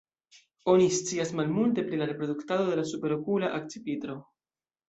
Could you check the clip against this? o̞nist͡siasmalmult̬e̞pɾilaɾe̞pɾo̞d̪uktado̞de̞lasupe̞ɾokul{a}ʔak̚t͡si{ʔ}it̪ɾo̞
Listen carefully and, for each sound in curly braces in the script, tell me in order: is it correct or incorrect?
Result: correct, incorrect: p

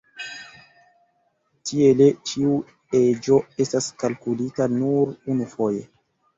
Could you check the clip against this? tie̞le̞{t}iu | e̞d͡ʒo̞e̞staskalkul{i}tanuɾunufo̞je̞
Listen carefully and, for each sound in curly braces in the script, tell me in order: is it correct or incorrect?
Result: incorrect: t͡ʃ, correct

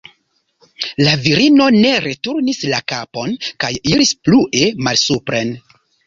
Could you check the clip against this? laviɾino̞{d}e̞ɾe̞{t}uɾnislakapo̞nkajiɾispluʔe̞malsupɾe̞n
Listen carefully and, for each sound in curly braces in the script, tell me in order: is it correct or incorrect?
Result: incorrect: n, correct

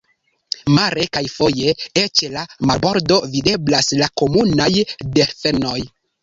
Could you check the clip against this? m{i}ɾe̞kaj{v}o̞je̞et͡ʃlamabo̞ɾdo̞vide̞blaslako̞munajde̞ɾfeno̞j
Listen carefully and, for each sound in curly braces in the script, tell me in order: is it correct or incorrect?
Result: incorrect: a, incorrect: f

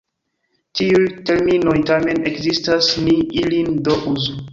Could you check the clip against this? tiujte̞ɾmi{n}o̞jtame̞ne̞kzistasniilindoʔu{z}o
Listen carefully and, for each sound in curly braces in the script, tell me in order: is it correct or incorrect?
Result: correct, correct

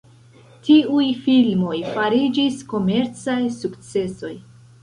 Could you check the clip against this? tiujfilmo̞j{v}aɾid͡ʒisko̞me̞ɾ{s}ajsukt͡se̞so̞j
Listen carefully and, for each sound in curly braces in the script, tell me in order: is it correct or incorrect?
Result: incorrect: f, incorrect: t͡s

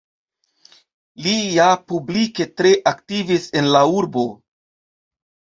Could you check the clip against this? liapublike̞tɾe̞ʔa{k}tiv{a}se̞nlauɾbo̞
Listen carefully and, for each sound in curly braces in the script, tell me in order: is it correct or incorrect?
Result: correct, incorrect: i

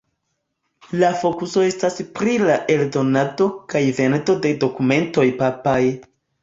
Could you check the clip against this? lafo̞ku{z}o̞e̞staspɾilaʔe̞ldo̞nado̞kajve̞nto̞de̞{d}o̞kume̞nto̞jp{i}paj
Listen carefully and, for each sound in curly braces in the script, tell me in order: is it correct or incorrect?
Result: incorrect: s, correct, incorrect: a

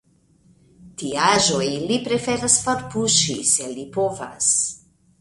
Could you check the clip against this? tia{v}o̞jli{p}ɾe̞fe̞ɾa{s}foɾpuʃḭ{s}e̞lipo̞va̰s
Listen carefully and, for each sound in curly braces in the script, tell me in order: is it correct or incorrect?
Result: incorrect: ʒ, correct, correct, correct

